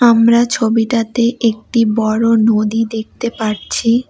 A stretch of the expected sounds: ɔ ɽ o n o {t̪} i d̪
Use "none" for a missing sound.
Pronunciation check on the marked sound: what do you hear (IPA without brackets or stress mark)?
d̪